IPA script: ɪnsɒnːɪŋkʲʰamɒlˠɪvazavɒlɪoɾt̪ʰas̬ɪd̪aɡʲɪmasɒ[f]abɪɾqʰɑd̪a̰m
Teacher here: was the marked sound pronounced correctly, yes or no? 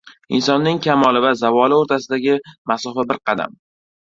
yes